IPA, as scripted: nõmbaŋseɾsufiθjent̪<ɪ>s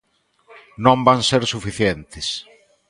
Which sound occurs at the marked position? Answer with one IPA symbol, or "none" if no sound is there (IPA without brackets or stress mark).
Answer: ɪ